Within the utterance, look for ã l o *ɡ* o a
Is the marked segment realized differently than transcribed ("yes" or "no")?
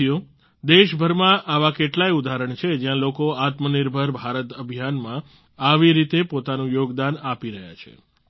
yes